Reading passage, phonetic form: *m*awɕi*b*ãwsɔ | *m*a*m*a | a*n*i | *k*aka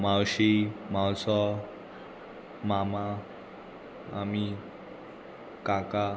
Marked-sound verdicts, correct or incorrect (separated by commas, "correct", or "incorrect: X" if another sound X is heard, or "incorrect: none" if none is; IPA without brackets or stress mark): correct, incorrect: m, correct, correct, incorrect: m, correct